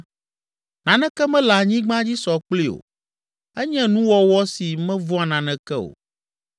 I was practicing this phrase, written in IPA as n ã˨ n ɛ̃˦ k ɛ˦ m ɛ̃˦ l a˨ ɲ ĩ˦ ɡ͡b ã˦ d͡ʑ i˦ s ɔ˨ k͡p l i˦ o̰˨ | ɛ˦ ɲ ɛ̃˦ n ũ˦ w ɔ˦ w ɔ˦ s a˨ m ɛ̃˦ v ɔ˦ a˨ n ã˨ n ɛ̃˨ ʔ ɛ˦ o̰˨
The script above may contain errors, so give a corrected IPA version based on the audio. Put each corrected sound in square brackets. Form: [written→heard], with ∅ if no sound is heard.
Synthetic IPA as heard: n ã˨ n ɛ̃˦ k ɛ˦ m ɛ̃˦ l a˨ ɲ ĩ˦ ɡ͡b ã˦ d͡ʑ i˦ s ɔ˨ k͡p l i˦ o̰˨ | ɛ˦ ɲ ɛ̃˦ n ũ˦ w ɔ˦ w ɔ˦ s [a˨→i˨] m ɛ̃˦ v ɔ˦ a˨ n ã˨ n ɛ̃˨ [ʔ→k] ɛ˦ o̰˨

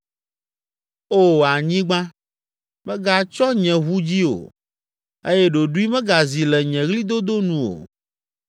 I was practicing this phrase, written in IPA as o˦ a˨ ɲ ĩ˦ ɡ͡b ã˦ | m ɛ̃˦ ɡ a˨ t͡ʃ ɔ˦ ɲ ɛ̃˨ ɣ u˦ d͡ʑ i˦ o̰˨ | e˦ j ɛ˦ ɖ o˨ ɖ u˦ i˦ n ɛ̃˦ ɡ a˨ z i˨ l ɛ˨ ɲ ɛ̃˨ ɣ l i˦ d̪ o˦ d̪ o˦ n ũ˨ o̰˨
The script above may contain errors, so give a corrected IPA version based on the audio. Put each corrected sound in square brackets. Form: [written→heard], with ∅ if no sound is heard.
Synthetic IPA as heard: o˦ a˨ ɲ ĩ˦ ɡ͡b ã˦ | m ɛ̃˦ ɡ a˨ t͡ʃ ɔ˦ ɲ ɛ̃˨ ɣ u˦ d͡ʑ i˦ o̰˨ | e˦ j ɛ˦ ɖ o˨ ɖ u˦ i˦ [n→m] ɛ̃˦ ɡ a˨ z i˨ l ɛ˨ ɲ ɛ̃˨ ɣ l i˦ d̪ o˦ d̪ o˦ n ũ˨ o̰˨

